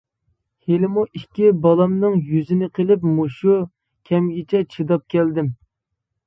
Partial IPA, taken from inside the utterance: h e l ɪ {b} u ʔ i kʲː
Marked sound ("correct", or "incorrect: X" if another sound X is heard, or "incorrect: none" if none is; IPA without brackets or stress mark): incorrect: m